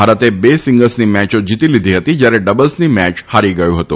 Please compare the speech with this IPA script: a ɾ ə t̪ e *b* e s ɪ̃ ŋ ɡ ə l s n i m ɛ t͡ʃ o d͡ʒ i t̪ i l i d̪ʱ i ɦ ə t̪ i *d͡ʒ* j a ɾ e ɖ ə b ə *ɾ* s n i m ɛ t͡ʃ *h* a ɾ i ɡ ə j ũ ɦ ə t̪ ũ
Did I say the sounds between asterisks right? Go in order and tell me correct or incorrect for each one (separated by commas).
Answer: correct, correct, incorrect, correct